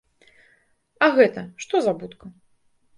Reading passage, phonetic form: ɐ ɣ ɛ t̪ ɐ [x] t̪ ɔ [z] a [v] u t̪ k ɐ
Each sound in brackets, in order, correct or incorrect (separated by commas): incorrect, correct, incorrect